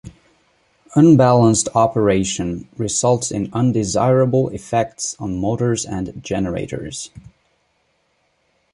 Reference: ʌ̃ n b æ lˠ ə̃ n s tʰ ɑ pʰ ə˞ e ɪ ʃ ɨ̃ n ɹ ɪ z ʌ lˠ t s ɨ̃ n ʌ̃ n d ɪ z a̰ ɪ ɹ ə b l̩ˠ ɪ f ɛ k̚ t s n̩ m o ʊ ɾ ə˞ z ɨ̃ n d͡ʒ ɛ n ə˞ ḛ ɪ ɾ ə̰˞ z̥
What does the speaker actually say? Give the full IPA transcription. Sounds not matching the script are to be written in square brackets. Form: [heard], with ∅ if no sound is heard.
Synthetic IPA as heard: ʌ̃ n b æ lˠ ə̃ n s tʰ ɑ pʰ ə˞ e ɪ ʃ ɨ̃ n ɹ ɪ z ʌ lˠ t s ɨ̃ n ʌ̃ n d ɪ z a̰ ɪ ɹ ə b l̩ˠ ɪ f ɛ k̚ t s n̩ m o ʊ ɾ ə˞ z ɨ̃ n d͡ʒ ɛ n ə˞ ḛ ɪ ɾ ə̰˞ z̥